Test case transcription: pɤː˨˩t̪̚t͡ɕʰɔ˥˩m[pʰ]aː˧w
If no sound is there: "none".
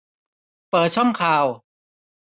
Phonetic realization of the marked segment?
kʰ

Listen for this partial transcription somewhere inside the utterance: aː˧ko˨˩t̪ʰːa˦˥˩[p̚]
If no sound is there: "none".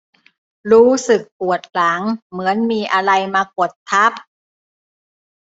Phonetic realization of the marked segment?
p̚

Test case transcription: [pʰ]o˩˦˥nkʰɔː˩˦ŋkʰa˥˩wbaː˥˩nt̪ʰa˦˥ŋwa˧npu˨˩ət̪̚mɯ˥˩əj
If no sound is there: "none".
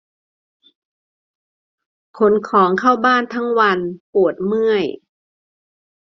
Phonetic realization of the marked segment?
kʰ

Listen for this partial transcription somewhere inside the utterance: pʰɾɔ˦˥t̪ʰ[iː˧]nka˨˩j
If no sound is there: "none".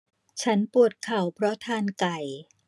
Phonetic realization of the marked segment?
aː˧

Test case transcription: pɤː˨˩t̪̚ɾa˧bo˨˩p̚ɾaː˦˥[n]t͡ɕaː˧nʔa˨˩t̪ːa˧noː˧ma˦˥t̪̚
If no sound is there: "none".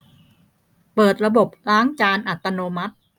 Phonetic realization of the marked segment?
ŋ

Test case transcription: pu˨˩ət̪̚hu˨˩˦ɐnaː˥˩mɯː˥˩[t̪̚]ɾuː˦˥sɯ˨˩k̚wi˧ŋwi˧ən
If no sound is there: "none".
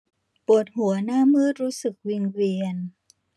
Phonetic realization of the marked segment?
t̪̚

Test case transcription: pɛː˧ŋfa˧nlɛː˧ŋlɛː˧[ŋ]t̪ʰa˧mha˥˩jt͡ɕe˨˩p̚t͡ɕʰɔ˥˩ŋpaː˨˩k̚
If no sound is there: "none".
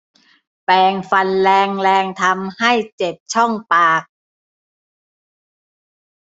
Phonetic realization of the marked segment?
ŋ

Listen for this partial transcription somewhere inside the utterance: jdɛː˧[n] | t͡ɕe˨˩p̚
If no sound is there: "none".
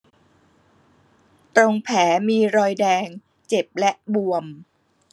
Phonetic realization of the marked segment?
ŋ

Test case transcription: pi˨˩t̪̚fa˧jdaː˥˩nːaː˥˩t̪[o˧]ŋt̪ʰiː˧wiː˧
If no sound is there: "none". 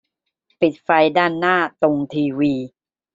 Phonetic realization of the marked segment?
o˧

